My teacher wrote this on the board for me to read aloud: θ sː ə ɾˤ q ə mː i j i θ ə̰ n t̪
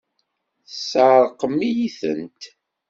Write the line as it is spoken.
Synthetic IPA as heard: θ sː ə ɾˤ q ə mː i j i θ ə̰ n t̪